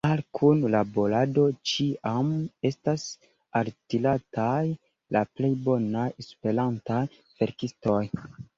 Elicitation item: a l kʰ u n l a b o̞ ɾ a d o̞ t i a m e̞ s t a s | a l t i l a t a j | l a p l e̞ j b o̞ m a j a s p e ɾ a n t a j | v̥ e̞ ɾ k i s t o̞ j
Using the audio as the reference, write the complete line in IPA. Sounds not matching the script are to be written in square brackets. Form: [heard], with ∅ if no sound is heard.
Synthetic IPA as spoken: a l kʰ u n l a b o̞ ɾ a d o̞ [t͡ʃ] i a m e̞ s t a s | a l t i l a t a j | l a p l e̞ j b o̞ [n] a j [e] s p e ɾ a n t a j | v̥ e̞ ɾ k i s t o̞ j